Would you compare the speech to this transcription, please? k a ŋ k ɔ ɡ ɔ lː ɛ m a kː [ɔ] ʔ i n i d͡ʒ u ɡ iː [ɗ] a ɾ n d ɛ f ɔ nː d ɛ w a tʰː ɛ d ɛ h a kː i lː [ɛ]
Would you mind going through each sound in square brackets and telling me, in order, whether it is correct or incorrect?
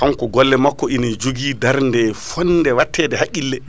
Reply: correct, incorrect: d, correct

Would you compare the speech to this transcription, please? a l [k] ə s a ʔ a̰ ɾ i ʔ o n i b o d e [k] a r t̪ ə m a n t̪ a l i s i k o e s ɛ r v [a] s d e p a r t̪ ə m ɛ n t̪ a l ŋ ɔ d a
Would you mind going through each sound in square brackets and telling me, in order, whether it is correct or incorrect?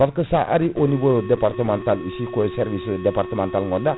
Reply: correct, incorrect: p, incorrect: i

